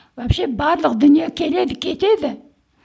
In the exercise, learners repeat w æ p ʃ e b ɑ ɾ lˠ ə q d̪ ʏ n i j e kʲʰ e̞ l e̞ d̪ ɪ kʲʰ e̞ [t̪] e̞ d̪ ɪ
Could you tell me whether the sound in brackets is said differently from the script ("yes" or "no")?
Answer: no